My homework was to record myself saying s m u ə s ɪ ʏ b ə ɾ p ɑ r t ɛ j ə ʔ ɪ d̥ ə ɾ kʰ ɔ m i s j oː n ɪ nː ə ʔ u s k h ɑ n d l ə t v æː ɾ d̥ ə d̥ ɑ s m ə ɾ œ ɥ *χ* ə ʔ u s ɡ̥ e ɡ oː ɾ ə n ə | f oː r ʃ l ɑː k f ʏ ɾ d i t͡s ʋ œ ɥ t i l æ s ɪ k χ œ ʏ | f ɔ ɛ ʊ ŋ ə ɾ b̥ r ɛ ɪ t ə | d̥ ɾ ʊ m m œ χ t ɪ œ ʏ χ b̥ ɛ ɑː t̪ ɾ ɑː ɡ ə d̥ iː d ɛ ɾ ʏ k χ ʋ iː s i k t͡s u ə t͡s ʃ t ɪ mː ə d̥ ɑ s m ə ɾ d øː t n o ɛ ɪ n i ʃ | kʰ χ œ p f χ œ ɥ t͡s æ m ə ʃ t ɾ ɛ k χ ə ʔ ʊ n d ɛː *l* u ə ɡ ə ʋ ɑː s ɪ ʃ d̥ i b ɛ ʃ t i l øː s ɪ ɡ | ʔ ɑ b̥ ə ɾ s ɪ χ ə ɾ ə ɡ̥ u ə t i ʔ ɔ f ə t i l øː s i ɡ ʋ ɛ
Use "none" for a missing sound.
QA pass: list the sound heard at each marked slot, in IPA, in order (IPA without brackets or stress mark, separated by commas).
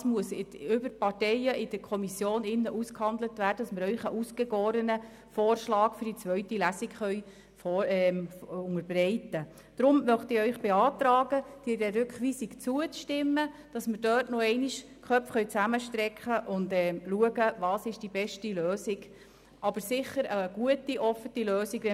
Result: χ, l